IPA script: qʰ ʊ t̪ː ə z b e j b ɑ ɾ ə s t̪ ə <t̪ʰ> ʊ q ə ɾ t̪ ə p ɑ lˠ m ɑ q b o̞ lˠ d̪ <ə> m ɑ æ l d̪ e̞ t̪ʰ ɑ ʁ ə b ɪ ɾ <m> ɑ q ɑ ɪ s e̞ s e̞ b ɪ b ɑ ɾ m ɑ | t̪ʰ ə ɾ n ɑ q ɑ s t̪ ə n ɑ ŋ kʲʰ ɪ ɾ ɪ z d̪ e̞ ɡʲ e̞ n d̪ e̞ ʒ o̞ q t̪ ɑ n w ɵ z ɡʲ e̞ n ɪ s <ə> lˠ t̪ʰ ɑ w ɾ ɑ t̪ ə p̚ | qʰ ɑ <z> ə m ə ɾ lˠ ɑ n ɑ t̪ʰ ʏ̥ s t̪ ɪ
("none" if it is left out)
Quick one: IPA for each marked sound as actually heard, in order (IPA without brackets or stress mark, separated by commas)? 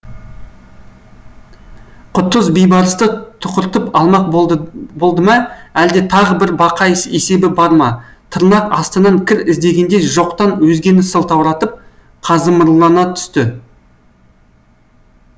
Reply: t̪ʰ, ə, b, ə, z